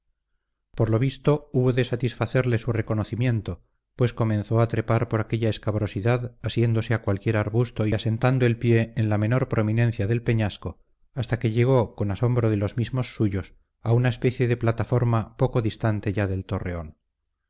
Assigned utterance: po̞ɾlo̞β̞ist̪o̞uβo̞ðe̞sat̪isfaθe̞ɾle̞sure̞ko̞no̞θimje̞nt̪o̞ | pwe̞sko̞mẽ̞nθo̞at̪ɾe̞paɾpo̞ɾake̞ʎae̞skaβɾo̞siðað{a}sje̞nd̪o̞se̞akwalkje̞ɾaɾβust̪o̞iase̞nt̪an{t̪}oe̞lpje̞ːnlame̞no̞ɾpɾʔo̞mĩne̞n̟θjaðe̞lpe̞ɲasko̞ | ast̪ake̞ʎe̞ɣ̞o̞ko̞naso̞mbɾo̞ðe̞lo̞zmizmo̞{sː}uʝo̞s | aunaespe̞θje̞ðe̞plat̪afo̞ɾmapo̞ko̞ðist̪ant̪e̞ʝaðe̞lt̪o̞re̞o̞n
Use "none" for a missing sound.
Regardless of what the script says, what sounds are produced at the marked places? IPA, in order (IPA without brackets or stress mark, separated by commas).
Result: a, d̪, sː